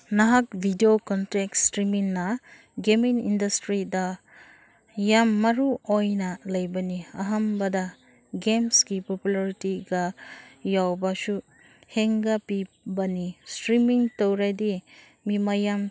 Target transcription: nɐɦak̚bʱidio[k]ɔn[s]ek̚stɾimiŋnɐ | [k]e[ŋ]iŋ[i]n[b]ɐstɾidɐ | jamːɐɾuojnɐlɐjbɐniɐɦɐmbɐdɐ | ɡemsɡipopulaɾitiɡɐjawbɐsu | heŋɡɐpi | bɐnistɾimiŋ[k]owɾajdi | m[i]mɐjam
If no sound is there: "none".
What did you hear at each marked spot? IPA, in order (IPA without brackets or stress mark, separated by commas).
k, t, ɡ, m, i, d, t, i